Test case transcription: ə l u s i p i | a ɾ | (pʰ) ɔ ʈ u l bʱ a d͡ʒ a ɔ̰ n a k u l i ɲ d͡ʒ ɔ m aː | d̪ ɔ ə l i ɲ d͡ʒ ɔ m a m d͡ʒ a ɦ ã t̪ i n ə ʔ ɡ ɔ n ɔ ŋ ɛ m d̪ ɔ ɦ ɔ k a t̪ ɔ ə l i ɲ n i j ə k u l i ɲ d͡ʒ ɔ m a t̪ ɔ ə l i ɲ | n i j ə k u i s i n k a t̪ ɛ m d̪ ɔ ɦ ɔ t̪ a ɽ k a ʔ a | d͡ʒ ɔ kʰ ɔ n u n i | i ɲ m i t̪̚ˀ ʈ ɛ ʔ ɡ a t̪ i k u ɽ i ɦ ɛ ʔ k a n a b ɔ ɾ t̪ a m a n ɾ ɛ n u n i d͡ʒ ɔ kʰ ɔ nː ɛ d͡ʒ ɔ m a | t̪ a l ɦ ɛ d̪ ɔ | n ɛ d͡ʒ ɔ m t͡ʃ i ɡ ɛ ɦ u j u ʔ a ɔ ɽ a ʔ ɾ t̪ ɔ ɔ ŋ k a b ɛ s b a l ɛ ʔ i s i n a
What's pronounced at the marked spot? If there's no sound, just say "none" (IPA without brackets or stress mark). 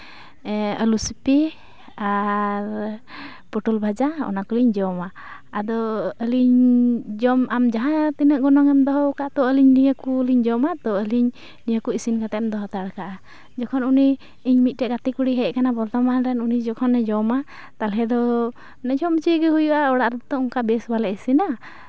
p